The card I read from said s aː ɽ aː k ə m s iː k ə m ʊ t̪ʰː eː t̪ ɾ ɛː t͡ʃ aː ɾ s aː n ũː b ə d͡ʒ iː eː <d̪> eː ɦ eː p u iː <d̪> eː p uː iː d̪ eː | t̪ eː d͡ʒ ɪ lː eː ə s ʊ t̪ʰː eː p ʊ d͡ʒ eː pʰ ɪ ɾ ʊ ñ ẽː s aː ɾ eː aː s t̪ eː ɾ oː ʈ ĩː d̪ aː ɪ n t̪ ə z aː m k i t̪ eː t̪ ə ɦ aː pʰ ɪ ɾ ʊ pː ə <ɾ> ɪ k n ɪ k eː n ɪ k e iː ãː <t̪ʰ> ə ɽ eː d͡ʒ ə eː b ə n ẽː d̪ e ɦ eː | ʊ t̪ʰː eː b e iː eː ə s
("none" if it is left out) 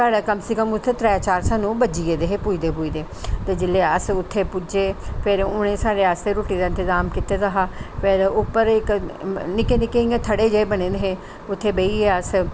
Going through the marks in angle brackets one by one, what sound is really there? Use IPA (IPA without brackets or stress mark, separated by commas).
d̪, d̪, ɾ, t̪ʰ